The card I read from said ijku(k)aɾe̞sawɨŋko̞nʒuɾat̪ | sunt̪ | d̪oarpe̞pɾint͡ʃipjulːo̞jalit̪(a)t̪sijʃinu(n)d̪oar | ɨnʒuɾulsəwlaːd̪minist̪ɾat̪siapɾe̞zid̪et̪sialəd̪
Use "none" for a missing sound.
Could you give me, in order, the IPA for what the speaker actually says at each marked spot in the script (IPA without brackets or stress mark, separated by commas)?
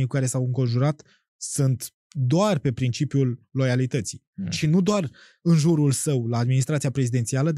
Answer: k, ə, none